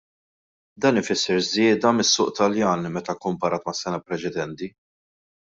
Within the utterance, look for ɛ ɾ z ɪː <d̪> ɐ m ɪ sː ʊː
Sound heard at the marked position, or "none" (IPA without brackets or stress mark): d̪